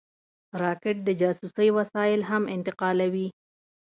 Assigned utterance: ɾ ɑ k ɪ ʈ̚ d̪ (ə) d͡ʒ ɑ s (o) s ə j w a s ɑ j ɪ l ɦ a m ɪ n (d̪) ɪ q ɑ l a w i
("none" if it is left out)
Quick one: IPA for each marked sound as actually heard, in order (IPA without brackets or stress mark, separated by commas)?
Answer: ə, u, t̪